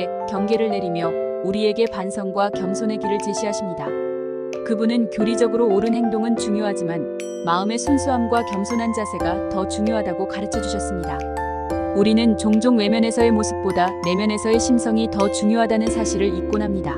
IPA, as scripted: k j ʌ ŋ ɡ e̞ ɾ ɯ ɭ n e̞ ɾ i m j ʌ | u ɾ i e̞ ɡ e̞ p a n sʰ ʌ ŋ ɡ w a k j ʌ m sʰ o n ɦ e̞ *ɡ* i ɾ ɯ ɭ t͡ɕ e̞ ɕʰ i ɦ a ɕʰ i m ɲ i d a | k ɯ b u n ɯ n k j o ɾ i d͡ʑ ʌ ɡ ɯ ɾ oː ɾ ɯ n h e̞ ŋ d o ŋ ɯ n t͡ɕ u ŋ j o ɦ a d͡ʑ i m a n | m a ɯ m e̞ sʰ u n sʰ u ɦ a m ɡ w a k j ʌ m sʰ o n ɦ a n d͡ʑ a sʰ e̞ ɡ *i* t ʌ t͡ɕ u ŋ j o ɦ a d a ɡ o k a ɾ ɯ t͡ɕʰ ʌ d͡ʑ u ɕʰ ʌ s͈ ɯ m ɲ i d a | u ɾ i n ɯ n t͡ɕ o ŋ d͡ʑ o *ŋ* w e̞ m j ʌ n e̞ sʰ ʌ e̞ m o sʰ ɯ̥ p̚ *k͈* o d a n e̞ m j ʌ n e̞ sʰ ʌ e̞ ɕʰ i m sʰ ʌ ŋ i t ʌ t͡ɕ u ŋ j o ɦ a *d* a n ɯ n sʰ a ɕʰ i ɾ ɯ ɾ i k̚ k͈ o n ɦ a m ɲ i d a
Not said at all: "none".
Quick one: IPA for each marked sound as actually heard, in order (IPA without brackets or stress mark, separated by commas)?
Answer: ɡ, a, ŋ, p͈, d